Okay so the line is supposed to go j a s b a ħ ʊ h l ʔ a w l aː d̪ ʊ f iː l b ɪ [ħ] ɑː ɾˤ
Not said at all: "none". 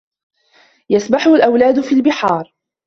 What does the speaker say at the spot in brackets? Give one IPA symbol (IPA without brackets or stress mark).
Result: ħ